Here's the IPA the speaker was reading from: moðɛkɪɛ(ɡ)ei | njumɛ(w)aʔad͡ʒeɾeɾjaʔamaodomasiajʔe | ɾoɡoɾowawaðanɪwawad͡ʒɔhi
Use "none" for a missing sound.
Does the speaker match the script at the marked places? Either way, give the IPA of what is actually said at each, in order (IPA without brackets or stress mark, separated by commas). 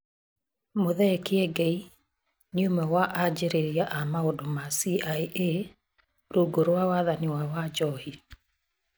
ɡ, w